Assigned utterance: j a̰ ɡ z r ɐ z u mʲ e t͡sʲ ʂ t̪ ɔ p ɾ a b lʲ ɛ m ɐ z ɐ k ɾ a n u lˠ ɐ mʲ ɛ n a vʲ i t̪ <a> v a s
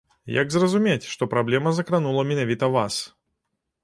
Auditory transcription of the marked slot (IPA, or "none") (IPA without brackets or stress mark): ɐ